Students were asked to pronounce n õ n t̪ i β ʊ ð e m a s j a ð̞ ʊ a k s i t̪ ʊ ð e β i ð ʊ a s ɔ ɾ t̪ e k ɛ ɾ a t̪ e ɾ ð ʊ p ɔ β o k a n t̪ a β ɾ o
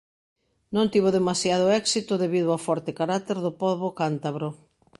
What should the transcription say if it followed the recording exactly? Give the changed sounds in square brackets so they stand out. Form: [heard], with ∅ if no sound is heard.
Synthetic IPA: n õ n t̪ i β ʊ ð e m a s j a ð̞ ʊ [ɛ] k s i t̪ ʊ ð e β i ð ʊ a [f] ɔ ɾ t̪ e k [a] ɾ a t̪ e ɾ ð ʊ p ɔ β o k a n t̪ a β ɾ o